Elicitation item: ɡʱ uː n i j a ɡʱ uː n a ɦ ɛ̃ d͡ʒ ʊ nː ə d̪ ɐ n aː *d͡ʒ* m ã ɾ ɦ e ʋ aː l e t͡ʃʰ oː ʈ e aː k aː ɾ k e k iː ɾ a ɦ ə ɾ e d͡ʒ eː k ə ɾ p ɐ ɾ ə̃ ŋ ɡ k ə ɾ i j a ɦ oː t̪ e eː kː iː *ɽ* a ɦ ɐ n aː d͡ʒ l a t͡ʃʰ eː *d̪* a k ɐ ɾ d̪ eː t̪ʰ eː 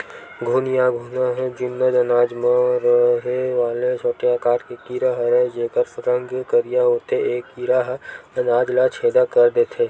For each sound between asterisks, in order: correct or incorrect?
correct, incorrect: ɾ, correct

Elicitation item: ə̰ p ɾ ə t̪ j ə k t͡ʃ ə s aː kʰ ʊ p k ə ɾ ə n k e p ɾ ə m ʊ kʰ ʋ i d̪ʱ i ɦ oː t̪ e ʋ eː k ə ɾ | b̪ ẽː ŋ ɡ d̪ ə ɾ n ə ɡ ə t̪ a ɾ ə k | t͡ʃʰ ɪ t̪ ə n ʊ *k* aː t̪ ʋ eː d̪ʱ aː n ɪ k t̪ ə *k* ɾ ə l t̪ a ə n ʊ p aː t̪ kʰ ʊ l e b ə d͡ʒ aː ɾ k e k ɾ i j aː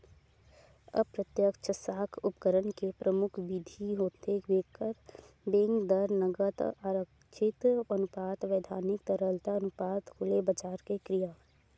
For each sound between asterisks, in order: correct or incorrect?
incorrect: p, incorrect: none

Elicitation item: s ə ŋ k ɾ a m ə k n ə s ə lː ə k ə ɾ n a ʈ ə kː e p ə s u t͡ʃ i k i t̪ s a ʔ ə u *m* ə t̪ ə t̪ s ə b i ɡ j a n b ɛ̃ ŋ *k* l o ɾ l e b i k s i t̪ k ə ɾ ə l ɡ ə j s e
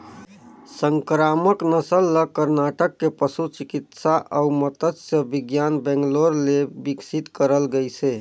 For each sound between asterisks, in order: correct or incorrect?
correct, incorrect: ɡ

